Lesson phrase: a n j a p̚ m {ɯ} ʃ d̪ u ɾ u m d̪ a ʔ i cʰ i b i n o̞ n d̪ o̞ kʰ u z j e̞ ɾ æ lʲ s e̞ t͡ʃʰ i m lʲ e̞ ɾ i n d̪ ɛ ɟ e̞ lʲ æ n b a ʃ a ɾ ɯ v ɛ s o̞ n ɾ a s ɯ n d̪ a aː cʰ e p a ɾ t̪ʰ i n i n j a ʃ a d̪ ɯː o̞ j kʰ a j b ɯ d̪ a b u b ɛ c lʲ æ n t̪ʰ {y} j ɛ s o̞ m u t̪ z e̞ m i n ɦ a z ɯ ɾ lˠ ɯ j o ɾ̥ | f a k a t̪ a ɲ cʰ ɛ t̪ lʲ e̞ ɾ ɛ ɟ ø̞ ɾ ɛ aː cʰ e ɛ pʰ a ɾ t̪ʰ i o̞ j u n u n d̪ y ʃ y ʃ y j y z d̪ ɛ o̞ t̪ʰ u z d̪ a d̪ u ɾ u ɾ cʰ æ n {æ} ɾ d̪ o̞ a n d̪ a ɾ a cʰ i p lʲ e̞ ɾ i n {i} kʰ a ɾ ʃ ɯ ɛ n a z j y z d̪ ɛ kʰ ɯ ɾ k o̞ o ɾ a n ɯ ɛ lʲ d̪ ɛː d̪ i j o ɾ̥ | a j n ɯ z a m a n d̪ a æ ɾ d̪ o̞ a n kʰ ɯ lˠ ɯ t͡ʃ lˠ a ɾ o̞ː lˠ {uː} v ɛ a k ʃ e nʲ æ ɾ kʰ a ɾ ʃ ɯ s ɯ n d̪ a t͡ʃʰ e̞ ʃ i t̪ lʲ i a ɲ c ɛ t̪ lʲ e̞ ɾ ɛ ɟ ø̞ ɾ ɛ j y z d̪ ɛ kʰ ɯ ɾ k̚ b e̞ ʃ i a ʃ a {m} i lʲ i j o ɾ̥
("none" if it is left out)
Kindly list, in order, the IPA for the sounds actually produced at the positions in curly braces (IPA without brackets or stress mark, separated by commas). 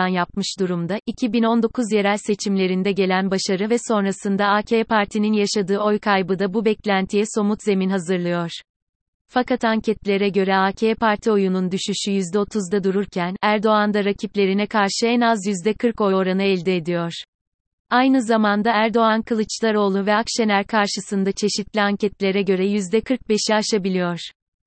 ɯ, i, æ, ɛ, u, b